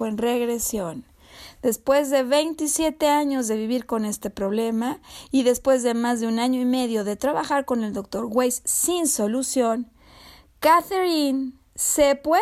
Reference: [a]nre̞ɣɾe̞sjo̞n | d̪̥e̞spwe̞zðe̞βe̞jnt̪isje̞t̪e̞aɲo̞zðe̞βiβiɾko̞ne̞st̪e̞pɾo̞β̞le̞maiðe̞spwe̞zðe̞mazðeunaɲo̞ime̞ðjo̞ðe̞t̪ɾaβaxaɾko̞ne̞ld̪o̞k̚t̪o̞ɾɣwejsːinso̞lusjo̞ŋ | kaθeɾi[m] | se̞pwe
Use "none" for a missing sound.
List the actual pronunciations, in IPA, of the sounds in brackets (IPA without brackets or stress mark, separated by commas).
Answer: e, n